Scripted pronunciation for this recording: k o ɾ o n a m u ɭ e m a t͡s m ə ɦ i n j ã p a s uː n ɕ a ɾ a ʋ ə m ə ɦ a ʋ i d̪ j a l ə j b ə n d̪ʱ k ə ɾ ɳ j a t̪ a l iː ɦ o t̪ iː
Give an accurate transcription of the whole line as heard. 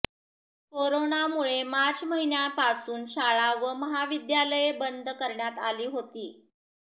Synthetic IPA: k o ɾ o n a m u ɭ e m a t͡s m ə ɦ i n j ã p a s uː n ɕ a ɭ a ʋ ə m ə ɦ a ʋ i d̪ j a l ə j b ə n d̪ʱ k ə ɾ ɳ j a t̪ a l iː ɦ o t̪ iː